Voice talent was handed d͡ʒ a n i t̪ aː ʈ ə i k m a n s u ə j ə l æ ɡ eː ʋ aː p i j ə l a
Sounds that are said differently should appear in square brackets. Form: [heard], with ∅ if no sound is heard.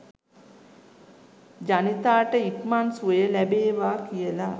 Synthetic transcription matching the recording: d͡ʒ a n i t̪ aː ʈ ə i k m a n s u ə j ə l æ [b] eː ʋ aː [k] i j ə l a